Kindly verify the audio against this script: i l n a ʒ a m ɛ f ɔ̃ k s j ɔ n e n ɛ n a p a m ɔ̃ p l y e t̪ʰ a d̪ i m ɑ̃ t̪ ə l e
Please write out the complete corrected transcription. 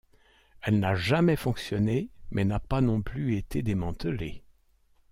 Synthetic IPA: ɛ l n a ʒ a m ɛ f ɔ̃ k s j ɔ n e m ɛ n a p a n ɔ̃ p l y e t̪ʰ e d̪ e m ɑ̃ t̪ ə l e